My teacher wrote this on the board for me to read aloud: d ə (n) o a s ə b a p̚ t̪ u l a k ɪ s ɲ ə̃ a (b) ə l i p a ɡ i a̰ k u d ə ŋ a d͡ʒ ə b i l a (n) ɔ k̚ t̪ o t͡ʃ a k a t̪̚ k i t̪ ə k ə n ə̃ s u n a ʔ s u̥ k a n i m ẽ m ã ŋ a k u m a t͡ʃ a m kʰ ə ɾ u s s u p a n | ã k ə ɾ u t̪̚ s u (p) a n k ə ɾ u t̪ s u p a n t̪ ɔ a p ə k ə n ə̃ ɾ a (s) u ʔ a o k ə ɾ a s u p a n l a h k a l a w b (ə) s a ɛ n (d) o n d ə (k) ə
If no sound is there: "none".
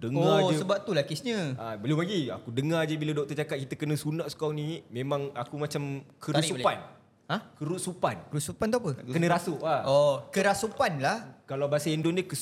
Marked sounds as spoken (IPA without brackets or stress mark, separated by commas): ŋ, b, d, p, s, a, d, k